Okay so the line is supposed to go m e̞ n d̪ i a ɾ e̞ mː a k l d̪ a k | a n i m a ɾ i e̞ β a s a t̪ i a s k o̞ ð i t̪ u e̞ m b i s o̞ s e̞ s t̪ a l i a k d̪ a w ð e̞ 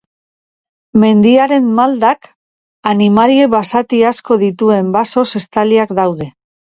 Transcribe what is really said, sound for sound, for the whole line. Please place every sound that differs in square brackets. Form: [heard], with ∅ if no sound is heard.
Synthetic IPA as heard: m e̞ n d̪ i a ɾ e̞ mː a [∅] l d̪ a k | a n i m a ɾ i e̞ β a s a t̪ i a s k o̞ ð i t̪ u e̞ m b [a] s o̞ s e̞ s t̪ a l i a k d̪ a w ð e̞